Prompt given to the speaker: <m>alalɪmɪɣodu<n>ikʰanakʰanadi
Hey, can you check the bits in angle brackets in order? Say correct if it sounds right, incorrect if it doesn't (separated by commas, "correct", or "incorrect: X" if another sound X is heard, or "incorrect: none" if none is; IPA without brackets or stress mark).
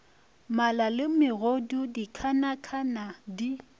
correct, incorrect: d